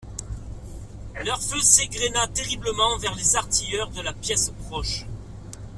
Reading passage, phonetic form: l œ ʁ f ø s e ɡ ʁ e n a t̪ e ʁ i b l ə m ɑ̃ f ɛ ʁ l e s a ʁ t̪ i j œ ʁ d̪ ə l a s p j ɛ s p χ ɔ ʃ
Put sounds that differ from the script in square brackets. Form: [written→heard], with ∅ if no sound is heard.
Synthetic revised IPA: l œ ʁ f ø s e ɡ ʁ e n a t̪ e ʁ i b l ə m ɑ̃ [f→v] ɛ ʁ l e [s→z] a ʁ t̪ i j œ ʁ d̪ ə l a [s→∅] p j ɛ s p χ ɔ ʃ